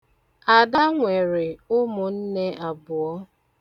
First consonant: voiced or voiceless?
voiced